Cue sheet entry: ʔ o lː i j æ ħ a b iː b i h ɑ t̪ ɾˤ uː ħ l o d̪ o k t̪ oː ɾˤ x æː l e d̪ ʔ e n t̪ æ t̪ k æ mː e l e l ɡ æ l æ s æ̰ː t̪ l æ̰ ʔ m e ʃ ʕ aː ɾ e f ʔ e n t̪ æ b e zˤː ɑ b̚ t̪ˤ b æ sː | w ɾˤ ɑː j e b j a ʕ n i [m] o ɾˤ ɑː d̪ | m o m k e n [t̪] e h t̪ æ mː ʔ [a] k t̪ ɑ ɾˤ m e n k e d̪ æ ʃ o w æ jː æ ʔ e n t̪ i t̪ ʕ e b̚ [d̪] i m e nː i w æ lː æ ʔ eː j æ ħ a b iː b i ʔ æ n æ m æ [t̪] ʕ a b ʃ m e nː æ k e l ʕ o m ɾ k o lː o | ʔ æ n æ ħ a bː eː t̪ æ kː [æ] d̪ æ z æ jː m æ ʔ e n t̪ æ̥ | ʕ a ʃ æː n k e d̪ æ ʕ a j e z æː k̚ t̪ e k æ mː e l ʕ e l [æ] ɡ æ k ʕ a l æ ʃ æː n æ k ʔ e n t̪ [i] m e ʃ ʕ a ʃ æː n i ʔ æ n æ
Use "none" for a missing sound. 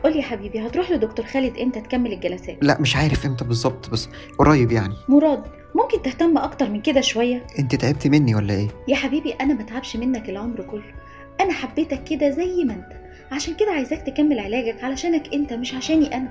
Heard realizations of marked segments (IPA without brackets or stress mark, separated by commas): m, t̪, ɑ, t̪, t̪, e, æː, æ